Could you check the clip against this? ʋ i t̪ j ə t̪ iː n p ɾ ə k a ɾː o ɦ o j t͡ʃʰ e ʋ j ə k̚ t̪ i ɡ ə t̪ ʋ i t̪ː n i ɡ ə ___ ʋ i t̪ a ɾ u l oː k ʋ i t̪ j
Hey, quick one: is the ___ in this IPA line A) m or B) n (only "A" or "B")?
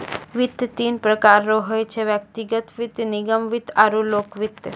A